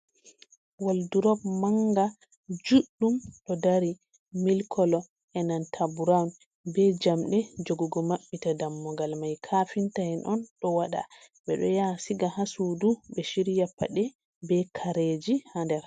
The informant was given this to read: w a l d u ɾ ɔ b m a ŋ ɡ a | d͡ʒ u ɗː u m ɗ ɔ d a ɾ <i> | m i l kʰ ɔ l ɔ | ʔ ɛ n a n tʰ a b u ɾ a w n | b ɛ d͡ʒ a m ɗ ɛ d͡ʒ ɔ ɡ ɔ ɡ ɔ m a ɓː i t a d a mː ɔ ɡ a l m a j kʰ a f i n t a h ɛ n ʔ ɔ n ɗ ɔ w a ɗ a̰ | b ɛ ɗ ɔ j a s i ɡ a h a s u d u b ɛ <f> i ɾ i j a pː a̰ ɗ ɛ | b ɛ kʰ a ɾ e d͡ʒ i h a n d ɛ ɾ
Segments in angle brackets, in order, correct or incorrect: correct, incorrect: ʃ

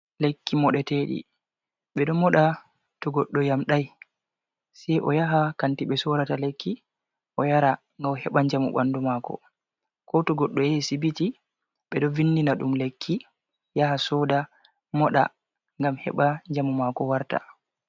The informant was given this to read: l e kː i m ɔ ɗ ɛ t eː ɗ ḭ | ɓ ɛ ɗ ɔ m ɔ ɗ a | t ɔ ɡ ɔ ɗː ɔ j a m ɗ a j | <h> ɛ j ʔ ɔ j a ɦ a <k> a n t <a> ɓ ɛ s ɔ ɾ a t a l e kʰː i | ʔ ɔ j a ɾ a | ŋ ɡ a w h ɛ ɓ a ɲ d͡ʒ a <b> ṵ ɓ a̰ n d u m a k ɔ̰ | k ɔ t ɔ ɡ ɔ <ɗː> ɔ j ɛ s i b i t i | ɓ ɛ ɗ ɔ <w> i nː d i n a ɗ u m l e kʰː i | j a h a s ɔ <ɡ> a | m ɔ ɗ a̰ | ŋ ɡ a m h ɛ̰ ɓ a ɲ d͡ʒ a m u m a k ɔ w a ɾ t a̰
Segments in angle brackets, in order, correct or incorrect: incorrect: s, correct, incorrect: i, incorrect: m, correct, incorrect: v, incorrect: d

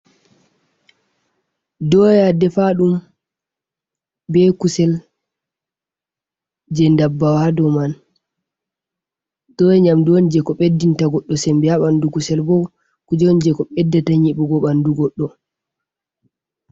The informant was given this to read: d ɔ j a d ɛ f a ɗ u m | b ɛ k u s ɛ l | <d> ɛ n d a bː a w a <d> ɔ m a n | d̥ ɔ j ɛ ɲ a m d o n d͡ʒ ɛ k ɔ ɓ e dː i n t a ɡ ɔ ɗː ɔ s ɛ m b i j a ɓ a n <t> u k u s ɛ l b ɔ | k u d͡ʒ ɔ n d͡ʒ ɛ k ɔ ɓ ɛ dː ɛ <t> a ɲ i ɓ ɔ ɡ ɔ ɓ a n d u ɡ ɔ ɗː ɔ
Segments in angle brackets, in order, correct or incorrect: incorrect: d͡ʒ, correct, incorrect: d, correct

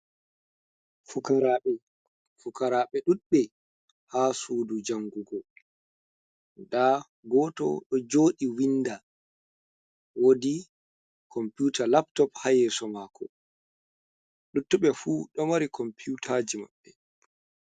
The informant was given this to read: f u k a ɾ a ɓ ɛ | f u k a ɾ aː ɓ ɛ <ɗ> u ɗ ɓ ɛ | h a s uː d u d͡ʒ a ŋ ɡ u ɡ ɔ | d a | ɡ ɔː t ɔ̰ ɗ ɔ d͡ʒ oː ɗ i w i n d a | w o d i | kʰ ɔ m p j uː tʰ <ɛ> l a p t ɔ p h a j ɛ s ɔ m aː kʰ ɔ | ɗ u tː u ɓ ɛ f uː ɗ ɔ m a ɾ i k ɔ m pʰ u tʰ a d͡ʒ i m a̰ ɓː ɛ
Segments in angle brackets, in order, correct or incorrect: correct, incorrect: a

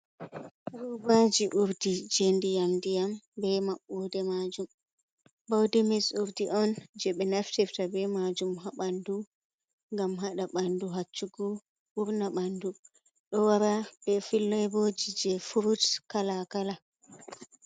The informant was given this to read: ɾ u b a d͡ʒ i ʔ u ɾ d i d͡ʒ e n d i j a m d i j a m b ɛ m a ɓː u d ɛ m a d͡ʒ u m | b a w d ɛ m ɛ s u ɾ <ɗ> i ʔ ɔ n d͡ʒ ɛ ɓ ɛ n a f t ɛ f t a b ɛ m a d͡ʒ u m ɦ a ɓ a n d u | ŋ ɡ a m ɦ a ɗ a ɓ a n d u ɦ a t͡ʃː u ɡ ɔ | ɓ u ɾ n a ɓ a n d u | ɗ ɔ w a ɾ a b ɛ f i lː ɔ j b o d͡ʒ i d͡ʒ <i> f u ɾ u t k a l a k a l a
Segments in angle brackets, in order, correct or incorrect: incorrect: d, incorrect: ɛ

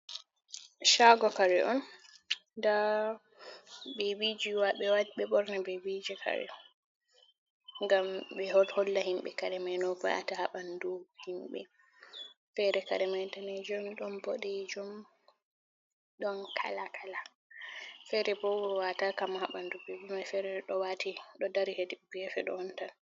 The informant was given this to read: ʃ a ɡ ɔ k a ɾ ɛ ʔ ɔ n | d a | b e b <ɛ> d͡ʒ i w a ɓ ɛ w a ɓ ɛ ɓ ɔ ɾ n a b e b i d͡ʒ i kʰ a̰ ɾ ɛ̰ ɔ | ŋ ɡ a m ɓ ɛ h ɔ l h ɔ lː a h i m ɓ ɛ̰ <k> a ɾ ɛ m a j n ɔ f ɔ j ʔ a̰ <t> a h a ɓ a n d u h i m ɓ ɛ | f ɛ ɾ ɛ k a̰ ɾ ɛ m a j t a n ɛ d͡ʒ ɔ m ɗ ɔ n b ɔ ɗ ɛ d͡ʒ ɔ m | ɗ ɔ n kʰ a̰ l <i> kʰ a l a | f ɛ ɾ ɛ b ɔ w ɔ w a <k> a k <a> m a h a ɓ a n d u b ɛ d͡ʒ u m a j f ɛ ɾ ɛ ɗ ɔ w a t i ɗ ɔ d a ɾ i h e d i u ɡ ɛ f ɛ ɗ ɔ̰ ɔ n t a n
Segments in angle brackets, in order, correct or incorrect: incorrect: i, correct, correct, incorrect: a, incorrect: t, correct

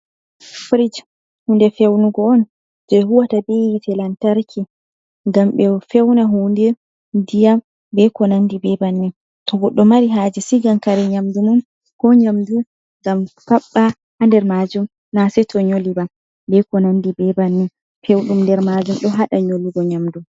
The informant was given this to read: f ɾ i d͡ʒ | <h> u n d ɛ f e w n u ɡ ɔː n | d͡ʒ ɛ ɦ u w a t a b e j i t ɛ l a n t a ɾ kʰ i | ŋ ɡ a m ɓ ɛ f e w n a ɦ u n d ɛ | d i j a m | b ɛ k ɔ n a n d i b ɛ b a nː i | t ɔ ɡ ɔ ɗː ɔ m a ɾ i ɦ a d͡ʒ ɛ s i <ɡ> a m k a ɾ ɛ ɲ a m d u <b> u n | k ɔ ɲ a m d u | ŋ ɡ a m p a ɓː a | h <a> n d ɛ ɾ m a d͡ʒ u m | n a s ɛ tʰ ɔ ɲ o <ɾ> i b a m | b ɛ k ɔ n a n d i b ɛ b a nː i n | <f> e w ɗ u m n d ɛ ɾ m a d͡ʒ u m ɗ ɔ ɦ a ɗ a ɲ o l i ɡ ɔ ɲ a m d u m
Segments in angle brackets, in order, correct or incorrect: correct, correct, incorrect: m, correct, incorrect: l, correct

